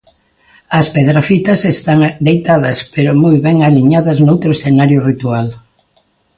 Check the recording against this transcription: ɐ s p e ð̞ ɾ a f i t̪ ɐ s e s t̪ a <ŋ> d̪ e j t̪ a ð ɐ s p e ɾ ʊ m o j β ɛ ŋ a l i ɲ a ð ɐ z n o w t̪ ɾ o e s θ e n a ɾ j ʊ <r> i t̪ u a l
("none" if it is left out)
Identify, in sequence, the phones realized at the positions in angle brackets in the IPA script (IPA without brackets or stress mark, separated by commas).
ŋ, r